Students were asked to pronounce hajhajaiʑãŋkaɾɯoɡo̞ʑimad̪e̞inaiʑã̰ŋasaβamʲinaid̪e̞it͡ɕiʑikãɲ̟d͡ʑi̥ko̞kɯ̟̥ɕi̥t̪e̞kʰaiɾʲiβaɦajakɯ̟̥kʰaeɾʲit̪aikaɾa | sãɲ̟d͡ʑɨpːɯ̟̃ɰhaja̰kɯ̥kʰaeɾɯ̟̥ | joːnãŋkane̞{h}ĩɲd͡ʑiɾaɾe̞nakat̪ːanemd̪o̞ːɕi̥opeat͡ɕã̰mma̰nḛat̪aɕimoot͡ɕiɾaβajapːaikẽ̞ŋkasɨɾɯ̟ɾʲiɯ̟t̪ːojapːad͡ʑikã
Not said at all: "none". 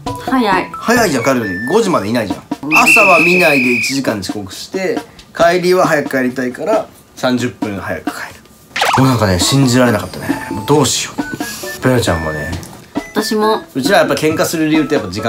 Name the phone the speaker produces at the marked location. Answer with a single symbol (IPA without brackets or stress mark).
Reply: ɕ